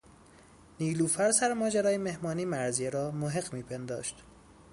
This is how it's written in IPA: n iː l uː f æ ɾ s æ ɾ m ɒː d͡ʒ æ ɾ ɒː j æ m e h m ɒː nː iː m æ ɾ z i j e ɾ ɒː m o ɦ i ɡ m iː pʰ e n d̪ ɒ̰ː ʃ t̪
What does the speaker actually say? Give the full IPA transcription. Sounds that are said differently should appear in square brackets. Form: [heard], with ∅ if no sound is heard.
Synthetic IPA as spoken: n iː l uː f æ ɾ s æ ɾ m ɒː d͡ʒ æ ɾ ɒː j [e] m e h m ɒː [n] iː m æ ɾ z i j e ɾ ɒː m o ɦ [e] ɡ m iː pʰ e n d̪ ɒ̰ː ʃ t̪